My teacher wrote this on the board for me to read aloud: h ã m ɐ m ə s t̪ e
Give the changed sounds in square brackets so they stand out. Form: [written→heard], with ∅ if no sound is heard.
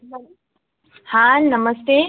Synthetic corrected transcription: h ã [m→n] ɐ m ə s t̪ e

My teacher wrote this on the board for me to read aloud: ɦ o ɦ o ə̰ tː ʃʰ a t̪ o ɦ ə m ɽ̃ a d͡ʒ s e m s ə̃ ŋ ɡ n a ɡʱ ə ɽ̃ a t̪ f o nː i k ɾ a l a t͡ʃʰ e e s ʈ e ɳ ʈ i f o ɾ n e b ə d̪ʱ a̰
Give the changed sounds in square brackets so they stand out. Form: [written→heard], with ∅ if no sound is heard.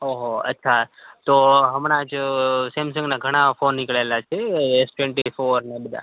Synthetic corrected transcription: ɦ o ɦ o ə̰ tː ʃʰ a t̪ o ɦ ə m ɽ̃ a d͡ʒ s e m s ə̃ ŋ ɡ n a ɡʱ ə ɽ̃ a [t̪→∅] f o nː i k [ɾ→ɭ] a l a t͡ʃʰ e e s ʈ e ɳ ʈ i f o ɾ n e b ə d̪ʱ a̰

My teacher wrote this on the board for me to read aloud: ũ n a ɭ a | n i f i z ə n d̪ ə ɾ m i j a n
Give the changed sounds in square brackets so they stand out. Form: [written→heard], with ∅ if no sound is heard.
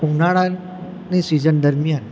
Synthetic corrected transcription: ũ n a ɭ a | n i [f→s] i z ə n d̪ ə ɾ m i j a n

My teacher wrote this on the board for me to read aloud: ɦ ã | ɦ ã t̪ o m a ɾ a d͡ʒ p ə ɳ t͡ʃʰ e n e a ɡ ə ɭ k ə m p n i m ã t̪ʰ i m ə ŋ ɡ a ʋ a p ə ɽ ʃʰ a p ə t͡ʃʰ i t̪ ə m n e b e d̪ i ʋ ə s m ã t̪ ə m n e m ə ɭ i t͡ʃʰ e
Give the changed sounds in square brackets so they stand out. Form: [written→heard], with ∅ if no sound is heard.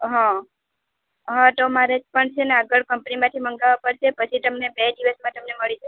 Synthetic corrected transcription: ɦ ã | ɦ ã t̪ o m a ɾ [a→e] d͡ʒ p ə ɳ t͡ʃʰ e n e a ɡ ə ɭ k ə m p n i m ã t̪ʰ i m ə ŋ ɡ a ʋ a p ə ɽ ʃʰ [a→e] p ə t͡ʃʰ i t̪ ə m n e b e d̪ i ʋ ə s m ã t̪ ə m n e m ə ɭ i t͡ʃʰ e

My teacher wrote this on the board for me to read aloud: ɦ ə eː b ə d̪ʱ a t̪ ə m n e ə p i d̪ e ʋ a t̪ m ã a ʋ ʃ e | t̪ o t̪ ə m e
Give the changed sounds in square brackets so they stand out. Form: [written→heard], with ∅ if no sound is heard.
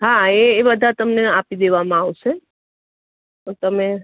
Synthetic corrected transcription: ɦ [ə→a] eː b ə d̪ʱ a t̪ ə m n e [ə→a] p i d̪ e ʋ a [t̪→∅] m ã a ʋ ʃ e | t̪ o t̪ ə m e

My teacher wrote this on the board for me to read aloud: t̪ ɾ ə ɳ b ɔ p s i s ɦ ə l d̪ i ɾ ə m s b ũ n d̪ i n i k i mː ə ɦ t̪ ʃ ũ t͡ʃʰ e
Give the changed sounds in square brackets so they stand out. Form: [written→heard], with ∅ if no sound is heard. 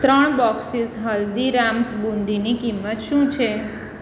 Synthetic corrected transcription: t̪ ɾ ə ɳ b ɔ [p→k] s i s ɦ ə l d̪ i ɾ [ə→a] m s b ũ n d̪ i n i k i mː ə [ɦ→∅] t̪ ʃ ũ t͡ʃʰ e

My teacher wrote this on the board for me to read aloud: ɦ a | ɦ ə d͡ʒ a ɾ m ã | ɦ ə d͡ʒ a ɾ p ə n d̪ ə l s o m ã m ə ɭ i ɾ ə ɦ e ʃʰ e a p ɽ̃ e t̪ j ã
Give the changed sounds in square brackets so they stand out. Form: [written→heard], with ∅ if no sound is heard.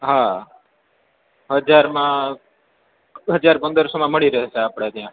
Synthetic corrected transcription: ɦ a | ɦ ə d͡ʒ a ɾ m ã | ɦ ə d͡ʒ a ɾ p ə n d̪ ə [l→ɾ] s o m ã m ə ɭ i ɾ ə ɦ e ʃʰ e a p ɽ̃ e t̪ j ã

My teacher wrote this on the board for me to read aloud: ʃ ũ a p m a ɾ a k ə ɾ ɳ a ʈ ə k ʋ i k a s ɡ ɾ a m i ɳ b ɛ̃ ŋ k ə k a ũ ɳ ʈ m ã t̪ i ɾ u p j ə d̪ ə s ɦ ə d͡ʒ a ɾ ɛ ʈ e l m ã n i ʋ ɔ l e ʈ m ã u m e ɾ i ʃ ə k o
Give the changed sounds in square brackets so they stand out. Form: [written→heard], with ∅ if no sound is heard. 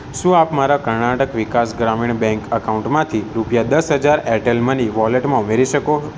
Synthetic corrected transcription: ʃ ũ a p m a ɾ a k ə ɾ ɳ a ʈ ə k ʋ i k a s ɡ ɾ a m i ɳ b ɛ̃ ŋ k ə k a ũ ɳ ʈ m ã [t̪→t̪ʰ] i ɾ u p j [ə→a] d̪ ə s ɦ ə d͡ʒ a ɾ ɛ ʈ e l m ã n i ʋ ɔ l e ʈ m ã u m e ɾ i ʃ ə k o

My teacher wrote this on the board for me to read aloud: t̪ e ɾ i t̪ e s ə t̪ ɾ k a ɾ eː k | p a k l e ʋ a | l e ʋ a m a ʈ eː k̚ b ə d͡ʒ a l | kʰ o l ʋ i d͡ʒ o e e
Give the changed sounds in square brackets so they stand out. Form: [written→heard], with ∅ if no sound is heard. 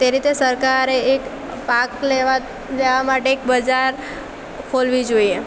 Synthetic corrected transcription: t̪ e ɾ i t̪ e s ə [t̪→∅] ɾ k a ɾ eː k | p a k l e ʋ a | l e ʋ a m a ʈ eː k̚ b ə d͡ʒ a [l→ɾ] | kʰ o l ʋ i d͡ʒ o [e→i] e

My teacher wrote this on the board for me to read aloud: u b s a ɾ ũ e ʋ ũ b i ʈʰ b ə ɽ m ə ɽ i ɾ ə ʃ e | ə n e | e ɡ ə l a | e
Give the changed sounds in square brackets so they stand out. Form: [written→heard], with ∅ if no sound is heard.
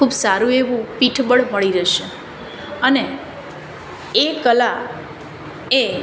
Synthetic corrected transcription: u b s a ɾ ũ e ʋ ũ [b→p] i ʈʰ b ə ɽ m ə [ɽ→ɭ] i ɾ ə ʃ e | ə n e | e [ɡ→k] ə l a | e

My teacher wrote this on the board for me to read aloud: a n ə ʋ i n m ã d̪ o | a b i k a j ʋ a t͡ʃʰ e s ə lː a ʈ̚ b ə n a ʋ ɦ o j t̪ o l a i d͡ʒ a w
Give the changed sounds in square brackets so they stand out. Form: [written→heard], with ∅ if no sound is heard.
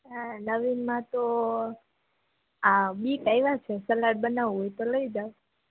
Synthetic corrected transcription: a n ə ʋ i n m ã [d̪→t̪] o | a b i k a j ʋ a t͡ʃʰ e s ə [lː→l] a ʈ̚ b ə n a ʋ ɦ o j t̪ o l [a→ə] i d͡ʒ a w

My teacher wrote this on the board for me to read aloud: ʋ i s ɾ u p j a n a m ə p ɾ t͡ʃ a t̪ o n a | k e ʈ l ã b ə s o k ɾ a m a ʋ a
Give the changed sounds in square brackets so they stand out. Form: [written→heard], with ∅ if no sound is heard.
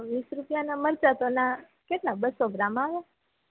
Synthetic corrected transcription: ʋ i s ɾ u p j a n a m ə [p→∅] ɾ t͡ʃ a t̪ o n a | k e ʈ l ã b ə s o [k→ɡ] ɾ a m a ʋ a

